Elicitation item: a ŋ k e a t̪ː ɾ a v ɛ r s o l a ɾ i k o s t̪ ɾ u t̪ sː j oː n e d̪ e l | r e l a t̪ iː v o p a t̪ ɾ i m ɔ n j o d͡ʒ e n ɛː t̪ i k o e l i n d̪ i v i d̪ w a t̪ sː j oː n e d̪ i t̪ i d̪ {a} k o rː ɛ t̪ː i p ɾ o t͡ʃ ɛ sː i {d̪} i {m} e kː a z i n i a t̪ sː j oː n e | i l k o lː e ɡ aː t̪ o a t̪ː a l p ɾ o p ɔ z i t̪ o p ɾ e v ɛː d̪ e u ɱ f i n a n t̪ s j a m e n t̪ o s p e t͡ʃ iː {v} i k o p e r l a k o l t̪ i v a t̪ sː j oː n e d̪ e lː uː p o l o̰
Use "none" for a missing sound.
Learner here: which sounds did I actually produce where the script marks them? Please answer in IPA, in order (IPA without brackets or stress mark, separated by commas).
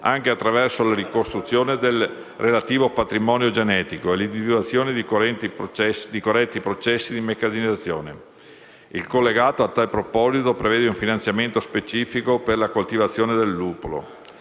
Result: i, d̪, m, f